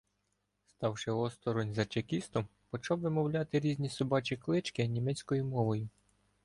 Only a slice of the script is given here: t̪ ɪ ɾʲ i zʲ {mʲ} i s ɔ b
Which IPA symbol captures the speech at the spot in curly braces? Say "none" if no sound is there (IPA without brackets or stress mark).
nʲ